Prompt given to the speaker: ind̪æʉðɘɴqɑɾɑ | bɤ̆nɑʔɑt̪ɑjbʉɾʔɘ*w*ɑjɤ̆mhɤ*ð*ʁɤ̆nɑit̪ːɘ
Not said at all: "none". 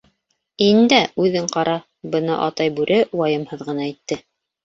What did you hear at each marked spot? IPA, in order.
w, ð

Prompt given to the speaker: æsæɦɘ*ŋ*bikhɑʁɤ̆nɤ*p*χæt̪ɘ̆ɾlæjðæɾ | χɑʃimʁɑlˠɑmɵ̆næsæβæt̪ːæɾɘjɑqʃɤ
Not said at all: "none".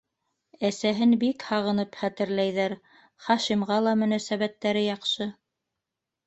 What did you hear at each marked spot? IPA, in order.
n, p

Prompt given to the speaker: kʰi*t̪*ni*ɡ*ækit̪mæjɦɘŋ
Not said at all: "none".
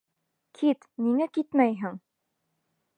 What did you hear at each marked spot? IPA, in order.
t̪, ŋ

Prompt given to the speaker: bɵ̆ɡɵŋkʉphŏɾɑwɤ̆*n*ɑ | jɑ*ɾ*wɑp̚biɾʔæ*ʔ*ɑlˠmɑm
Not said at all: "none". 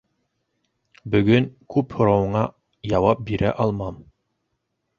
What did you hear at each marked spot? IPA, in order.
ɴ, none, ʔ

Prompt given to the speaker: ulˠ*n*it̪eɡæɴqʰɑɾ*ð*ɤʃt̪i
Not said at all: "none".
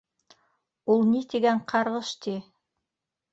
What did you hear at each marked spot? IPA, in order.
n, ʁ

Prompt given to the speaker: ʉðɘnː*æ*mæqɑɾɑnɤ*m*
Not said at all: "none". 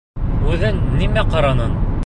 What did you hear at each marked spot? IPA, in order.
i, n

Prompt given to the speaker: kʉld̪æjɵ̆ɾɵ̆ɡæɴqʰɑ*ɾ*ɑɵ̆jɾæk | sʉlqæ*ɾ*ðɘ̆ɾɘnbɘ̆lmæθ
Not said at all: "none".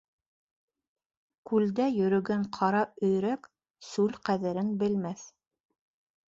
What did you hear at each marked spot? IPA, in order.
ɾ, none

